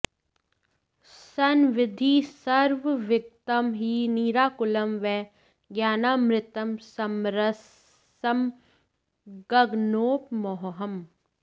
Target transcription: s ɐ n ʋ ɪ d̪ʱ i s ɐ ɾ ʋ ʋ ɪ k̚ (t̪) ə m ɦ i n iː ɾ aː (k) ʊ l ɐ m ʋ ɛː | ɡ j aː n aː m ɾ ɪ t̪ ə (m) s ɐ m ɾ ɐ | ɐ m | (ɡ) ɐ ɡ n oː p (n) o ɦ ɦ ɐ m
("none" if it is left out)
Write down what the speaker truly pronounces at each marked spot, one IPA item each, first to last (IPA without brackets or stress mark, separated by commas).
t̪, k, m, ɡ, m